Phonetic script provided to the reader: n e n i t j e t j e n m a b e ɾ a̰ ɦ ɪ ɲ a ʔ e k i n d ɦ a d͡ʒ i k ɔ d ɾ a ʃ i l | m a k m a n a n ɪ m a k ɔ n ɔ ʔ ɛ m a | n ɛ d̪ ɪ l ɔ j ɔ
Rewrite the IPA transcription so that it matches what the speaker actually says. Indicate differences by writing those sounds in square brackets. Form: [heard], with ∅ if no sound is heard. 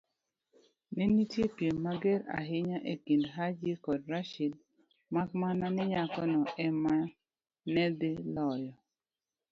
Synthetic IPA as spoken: n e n i t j e [p] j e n m a [ɡ] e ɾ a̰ ɦ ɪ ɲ a ʔ e k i n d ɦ a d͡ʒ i k ɔ d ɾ a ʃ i l | m a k m a n a n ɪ [ɲ] a k ɔ n ɔ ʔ ɛ m a | n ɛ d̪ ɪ l ɔ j ɔ